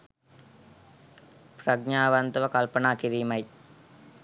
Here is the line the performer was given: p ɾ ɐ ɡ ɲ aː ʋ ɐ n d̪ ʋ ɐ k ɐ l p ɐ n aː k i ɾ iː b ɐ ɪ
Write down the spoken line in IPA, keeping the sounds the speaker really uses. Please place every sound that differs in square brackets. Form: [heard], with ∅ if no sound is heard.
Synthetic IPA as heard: p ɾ ɐ ɡ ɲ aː ʋ ɐ n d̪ ʋ ɐ k ɐ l p ɐ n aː k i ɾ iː [m] ɐ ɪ